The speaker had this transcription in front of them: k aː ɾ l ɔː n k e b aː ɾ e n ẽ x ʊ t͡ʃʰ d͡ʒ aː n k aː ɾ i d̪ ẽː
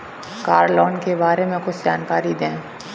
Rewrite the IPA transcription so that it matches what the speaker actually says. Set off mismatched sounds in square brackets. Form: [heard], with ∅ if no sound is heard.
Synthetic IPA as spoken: k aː ɾ l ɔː n k e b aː ɾ e [m] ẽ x ʊ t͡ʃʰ d͡ʒ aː n k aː ɾ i d̪ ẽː